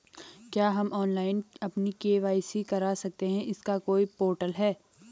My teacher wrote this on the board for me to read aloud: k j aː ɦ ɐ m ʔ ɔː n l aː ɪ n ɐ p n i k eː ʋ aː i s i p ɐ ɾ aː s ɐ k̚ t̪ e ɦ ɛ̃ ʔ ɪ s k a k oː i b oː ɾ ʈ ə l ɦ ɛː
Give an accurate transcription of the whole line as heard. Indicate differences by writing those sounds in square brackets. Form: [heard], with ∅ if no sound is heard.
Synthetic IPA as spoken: k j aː ɦ ɐ m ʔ ɔː n l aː ɪ n ɐ p n i k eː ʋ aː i s i [k] ɐ ɾ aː s ɐ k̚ t̪ e ɦ ɛ̃ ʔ ɪ s k a k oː i [p] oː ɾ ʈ ə l ɦ ɛː